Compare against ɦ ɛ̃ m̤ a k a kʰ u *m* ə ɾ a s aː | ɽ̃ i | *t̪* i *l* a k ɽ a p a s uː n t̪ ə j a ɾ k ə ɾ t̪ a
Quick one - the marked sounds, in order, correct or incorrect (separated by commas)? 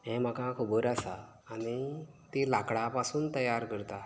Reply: incorrect, correct, correct